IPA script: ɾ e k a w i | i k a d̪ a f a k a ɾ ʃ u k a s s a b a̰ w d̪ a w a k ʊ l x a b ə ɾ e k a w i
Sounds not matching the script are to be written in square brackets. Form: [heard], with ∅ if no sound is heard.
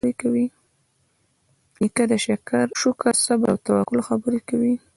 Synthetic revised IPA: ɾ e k a w i | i k a d̪ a [ʃ] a k a ɾ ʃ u k a s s a b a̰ w [t̪] a w a k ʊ l x a b ə ɾ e k a w i

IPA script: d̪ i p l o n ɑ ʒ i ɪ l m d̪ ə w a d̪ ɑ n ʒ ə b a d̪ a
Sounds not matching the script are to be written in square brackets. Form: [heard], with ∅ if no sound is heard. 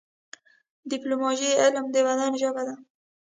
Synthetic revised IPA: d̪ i p l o [m] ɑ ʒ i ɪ l m d̪ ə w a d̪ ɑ n ʒ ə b a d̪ a

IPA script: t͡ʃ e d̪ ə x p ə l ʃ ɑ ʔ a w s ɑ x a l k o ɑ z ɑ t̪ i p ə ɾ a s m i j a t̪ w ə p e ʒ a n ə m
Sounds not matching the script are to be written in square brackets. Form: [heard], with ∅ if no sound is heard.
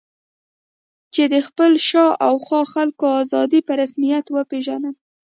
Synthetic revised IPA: t͡ʃ e d̪ ə x p ə l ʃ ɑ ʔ a w [x] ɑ x a l k o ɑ z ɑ [d̪] i p ə ɾ a s m i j a t̪ w ə p e ʒ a n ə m

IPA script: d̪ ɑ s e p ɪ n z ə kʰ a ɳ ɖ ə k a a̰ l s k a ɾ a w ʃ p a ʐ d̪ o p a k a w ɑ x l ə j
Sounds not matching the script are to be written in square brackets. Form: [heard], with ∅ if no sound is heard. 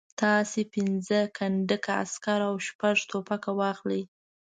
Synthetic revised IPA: [t̪] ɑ s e p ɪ n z ə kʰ a ɳ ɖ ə k a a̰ [∅] s k a ɾ a w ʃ p a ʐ [t̪] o p a k a w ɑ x l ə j

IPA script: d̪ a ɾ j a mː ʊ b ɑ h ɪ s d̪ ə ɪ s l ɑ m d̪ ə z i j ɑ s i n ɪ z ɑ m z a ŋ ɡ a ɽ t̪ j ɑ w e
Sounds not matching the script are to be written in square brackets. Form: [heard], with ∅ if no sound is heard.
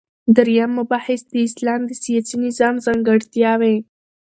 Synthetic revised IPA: d̪ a ɾ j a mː ʊ b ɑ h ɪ s d̪ ə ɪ s l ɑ m d̪ ə [s] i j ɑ s i n ɪ z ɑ m z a ŋ ɡ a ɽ t̪ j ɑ w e

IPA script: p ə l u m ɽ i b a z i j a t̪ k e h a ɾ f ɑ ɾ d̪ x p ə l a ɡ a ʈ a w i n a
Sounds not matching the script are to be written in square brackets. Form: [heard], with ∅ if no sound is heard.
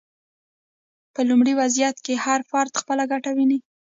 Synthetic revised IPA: p ə l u m ɽ i [w] a z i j a t̪ k e h a ɾ f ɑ ɾ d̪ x p ə l a ɡ a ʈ a w i n [i]

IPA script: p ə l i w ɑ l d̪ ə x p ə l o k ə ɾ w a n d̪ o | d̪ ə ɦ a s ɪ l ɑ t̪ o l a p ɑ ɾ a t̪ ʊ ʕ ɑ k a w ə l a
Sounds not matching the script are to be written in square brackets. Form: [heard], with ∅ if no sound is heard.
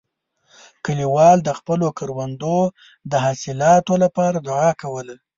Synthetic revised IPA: [k] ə l i w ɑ l d̪ ə x p ə l o k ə ɾ w a n d̪ o | d̪ ə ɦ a s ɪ l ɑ t̪ o l a p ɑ ɾ a [d̪] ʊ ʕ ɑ k a w ə l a

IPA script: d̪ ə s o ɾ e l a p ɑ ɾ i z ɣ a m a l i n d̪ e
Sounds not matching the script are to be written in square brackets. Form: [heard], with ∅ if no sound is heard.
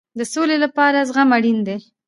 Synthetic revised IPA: d̪ ə s o [l] e l a p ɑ ɾ [a] z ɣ a m a [ɽ] i n d̪ e

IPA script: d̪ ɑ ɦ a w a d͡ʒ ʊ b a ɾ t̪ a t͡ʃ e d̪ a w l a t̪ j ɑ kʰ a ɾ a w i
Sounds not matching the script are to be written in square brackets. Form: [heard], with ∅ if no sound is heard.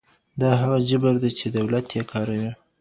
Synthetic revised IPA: d̪ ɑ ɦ a [ɣ] a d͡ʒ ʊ b a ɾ [d̪] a t͡ʃ e d̪ a w l a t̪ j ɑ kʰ [ɑ] ɾ a w i

